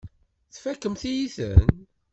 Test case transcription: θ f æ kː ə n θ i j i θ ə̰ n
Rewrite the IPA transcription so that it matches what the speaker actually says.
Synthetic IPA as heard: θ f æ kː ə m θ i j i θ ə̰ n

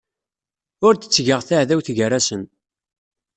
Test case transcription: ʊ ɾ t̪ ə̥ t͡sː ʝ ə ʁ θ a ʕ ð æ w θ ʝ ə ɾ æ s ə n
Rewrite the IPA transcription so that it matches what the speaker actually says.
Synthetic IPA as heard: ʊ ɾ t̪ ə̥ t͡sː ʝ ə ʁ θ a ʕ ð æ w θ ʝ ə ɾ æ s ə n

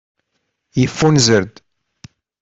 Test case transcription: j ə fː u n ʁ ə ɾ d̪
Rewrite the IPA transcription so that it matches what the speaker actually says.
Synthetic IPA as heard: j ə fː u n z ə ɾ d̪

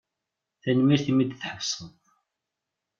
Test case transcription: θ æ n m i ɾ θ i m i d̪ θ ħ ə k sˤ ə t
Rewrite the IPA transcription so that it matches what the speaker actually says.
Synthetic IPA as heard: θ æ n m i ɾ θ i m i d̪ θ ħ ə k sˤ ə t

